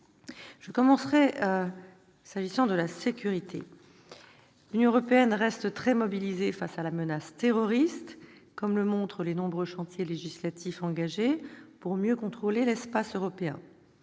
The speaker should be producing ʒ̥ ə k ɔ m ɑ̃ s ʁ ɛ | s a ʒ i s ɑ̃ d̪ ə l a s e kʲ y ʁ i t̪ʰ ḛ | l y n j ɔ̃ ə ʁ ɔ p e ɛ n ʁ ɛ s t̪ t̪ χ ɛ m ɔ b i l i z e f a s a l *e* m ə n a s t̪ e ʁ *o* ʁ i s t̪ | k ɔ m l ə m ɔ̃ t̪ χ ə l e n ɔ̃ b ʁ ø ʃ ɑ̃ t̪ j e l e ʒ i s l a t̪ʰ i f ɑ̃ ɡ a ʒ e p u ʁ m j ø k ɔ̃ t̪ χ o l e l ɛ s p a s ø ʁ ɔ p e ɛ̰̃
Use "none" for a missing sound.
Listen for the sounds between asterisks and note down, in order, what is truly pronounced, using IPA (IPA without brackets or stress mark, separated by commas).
a, ɔ